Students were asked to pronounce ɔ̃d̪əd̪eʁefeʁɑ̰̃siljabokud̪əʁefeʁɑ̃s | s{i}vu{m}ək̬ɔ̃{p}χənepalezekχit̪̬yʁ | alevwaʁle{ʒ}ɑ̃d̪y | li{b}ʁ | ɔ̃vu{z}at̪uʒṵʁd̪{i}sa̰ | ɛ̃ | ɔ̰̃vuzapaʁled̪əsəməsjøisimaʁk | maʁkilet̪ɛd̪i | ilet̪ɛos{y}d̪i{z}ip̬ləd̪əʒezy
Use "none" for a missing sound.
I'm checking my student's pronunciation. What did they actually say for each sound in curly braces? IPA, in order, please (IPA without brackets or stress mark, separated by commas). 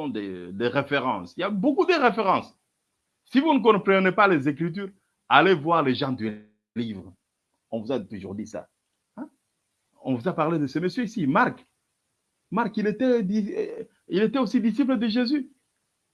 i, n, p, ʒ, v, z, i, i, s